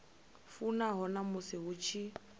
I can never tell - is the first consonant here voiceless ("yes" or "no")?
yes